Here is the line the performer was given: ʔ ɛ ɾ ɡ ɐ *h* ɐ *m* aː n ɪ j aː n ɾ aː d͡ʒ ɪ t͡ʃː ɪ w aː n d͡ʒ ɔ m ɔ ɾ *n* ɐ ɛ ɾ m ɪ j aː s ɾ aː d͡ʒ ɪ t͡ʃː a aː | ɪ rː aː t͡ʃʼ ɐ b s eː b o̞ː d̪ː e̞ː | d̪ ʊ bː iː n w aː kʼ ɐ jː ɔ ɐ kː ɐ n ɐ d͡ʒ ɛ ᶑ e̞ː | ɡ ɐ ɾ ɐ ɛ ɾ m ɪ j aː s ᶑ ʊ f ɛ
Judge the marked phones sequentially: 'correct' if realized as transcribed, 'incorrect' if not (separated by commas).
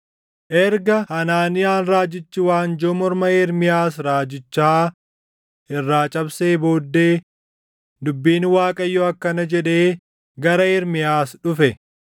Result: correct, incorrect, incorrect